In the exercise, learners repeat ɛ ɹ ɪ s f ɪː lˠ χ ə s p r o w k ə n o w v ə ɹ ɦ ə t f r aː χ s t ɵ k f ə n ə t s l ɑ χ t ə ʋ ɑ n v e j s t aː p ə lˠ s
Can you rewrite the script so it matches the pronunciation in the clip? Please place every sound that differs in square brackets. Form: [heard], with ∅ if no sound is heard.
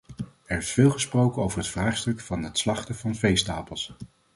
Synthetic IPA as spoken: ɛ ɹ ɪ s f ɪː lˠ χ ə s p r o w k ə n o w v ə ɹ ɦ ə t f r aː χ s t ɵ k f [ɑ] n ə t s l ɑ χ t ə [v] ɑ n v e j s t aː p ə lˠ s